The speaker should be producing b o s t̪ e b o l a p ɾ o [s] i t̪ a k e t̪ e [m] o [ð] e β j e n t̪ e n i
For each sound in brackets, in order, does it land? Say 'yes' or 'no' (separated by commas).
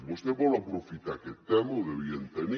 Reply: no, yes, yes